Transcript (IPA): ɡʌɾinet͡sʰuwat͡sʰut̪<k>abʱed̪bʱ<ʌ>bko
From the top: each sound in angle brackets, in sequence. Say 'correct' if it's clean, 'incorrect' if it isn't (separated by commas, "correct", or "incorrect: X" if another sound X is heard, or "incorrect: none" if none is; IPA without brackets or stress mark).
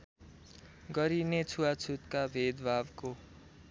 correct, incorrect: a